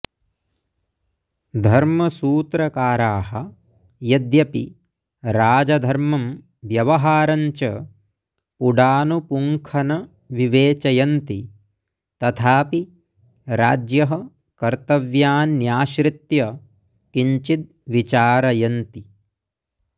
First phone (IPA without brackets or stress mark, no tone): d̪ʱ